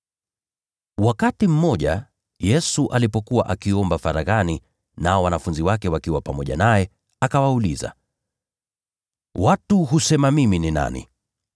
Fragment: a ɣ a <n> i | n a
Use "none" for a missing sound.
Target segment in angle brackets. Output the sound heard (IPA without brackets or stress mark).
n